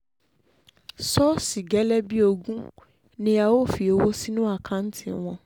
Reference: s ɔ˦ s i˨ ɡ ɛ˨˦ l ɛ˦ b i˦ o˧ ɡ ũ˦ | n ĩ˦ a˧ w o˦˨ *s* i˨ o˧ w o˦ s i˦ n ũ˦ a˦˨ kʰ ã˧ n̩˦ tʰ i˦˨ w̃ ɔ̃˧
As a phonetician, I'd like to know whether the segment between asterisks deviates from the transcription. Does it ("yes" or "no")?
yes